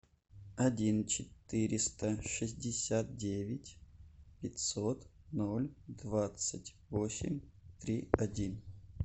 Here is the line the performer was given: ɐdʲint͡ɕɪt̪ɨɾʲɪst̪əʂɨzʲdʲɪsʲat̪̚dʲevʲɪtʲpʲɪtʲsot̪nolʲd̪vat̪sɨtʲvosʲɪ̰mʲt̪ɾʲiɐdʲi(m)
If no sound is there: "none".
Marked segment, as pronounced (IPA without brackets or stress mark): n